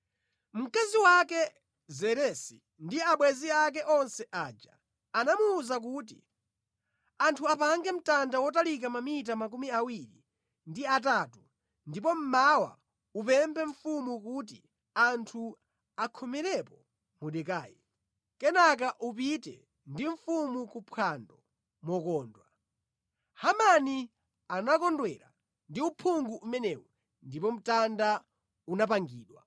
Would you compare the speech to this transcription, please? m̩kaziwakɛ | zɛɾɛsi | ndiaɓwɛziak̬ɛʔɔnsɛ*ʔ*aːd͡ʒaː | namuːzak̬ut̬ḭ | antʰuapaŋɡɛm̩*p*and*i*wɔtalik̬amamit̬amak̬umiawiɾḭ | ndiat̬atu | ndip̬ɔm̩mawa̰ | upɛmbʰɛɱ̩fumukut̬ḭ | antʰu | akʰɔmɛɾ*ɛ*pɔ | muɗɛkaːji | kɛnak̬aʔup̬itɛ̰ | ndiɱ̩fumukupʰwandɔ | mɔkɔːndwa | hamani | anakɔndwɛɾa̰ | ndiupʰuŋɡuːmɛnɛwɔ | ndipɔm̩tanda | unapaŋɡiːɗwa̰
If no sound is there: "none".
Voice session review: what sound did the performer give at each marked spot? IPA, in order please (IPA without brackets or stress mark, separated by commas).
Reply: ʔ, t, a, ɛ